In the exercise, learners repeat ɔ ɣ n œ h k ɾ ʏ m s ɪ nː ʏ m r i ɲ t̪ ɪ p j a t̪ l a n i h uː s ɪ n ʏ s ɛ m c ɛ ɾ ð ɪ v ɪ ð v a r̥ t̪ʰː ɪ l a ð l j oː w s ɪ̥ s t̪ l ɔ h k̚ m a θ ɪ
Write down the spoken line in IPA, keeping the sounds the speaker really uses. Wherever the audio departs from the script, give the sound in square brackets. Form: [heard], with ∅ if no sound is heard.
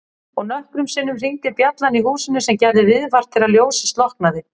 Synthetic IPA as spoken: ɔ ɣ n œ h k ɾ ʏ m s ɪ nː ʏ m r i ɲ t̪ ɪ p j a t̪ l a n i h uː s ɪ n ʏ s ɛ m c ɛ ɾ ð ɪ v ɪ ð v a r̥ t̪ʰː ɪ l a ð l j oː w s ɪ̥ s t̪ l ɔ h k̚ [n] a [ð] ɪ